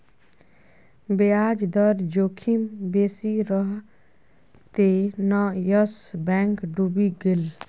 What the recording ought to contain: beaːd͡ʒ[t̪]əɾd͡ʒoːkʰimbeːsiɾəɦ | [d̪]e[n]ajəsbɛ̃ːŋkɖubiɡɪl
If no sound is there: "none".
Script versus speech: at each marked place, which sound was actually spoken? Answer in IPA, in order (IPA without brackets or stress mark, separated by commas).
d̪, t̪, n